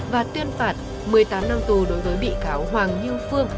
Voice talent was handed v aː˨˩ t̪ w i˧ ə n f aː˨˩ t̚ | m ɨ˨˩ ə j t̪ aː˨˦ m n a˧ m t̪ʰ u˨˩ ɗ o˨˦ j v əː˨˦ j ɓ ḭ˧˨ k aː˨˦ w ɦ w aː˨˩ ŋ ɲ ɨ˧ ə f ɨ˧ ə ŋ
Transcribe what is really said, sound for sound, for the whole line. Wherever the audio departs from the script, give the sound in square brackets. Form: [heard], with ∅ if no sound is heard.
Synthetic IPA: v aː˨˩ t̪ w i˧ ə n f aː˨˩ t̚ | m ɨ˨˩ ə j t̪ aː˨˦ m n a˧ m [t̪] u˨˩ ɗ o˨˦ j v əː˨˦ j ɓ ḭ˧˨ k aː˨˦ w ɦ w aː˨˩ ŋ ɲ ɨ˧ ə f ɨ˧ ə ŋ